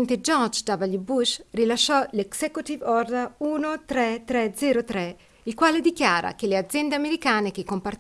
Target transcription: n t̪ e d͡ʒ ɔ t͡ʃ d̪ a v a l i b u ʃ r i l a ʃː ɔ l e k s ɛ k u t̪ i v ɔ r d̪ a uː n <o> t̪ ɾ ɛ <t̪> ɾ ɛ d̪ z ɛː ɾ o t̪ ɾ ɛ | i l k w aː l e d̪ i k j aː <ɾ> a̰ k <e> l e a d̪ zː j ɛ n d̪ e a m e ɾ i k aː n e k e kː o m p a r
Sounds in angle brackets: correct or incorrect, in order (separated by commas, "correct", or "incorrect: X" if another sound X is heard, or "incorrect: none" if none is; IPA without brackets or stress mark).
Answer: correct, correct, correct, correct